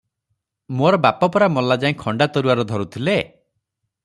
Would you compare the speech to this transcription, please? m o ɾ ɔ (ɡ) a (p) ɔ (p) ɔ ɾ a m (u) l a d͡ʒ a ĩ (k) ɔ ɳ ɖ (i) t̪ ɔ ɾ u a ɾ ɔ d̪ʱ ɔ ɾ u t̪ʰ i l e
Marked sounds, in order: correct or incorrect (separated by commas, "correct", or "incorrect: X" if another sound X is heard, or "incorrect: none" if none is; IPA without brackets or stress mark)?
incorrect: b, correct, correct, incorrect: ɔ, incorrect: kʰ, incorrect: a